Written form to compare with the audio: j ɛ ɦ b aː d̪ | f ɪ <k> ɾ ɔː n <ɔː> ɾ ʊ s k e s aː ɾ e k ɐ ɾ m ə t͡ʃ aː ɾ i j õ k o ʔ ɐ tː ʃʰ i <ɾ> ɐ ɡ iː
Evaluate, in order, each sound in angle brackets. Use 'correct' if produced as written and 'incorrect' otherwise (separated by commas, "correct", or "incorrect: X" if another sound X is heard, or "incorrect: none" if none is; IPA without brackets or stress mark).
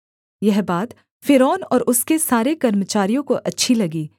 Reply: incorrect: none, correct, incorrect: l